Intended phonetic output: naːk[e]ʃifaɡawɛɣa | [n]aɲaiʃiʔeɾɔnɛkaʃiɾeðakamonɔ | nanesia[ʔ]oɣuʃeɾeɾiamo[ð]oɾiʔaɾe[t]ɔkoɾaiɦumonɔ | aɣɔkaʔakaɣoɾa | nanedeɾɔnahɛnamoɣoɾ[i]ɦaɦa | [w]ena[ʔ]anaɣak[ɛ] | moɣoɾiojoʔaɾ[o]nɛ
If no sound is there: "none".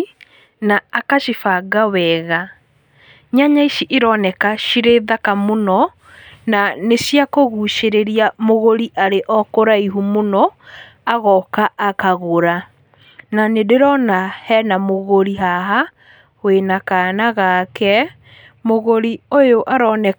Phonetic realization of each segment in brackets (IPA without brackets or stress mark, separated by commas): a, ɲ, k, ɣ, ʔ, i, w, k, ɛ, ɔ